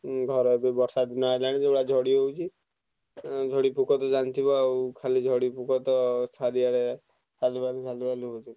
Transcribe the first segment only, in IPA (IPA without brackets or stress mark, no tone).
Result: ɡʱ